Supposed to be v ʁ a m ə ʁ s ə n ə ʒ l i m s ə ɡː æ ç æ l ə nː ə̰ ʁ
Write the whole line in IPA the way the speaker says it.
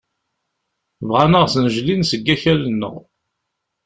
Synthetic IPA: v ʁ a n ə ʁ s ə n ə ʒ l i n s ə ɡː æ ç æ l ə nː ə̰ ʁ